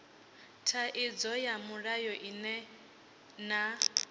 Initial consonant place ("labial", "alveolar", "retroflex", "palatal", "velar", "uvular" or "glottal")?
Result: alveolar